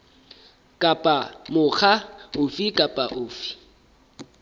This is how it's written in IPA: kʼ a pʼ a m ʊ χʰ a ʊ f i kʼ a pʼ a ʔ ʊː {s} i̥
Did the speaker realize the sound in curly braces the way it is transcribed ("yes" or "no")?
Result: no